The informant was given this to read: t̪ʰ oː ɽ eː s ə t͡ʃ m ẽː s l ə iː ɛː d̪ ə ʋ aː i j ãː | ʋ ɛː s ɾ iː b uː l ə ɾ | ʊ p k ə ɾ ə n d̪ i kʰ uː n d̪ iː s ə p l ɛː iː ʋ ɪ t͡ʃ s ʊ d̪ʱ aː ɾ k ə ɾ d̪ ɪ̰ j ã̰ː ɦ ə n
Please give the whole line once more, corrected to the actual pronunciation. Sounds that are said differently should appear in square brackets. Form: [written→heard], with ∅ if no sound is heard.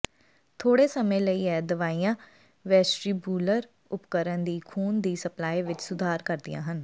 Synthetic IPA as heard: t̪ʰ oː ɽ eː s ə [t͡ʃ→∅] m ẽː [s→∅] l ə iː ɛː d̪ ə ʋ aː i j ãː | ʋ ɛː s ɾ iː b uː l ə ɾ | ʊ p k ə ɾ ə n d̪ [i→iː] kʰ uː n d̪ iː s ə p l [ɛː→aː] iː ʋ ɪ t͡ʃ s ʊ d̪ʱ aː ɾ k ə ɾ d̪ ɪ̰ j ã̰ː ɦ ə n